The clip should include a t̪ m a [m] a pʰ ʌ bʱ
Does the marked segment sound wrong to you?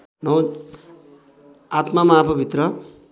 no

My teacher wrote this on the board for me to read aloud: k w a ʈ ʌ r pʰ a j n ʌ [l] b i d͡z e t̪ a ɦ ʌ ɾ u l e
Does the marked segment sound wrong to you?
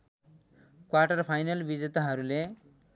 no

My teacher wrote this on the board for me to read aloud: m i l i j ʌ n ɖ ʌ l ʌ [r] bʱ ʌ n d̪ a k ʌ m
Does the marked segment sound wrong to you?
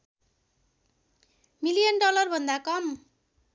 no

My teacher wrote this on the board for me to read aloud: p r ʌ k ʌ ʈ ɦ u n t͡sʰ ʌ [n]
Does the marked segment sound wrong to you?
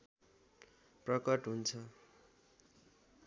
yes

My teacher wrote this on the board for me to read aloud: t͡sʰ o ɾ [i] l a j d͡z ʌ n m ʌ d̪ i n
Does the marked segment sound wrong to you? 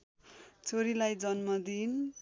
no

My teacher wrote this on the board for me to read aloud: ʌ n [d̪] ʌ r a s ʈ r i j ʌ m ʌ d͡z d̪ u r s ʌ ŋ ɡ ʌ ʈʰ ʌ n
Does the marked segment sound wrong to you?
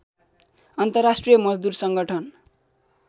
yes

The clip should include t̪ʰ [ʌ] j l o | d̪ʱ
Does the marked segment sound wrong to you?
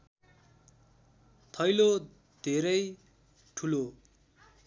no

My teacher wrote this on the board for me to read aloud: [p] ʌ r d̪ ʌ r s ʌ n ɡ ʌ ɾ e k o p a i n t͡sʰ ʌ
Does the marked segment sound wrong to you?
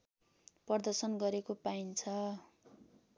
no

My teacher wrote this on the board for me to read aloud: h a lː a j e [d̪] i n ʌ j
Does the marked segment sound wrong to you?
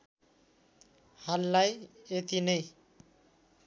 yes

